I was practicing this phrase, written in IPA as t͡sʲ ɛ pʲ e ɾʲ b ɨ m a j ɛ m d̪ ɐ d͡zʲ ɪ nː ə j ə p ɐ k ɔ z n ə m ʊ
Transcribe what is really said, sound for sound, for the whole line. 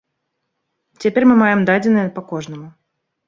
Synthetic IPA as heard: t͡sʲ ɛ pʲ e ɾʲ m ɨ m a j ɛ m d̪ a d͡zʲ ɪ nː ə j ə p ɐ k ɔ ʐ n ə m ʊ